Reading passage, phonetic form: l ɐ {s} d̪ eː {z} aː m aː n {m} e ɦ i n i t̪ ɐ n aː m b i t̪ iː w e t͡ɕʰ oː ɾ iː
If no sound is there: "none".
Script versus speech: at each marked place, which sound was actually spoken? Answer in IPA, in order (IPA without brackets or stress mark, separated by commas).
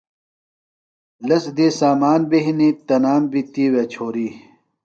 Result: s, s, b